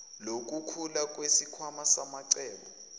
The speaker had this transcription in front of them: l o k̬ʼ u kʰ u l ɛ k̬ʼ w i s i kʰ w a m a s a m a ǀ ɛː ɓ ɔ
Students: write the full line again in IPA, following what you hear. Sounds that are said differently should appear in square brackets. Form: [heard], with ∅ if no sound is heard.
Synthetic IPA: l o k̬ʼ u kʰ u l [a] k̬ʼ w [e] s i kʰ w a m a s a m a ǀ ɛː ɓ ɔ